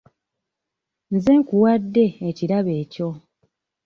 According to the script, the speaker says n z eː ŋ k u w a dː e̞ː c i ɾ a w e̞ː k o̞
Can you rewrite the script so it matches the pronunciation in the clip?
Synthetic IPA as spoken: n z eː ŋ k u w a dː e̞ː c i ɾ a β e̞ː c o̞